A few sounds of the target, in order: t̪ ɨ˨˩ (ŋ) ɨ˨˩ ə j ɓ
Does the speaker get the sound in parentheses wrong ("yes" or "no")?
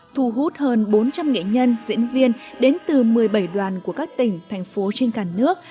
yes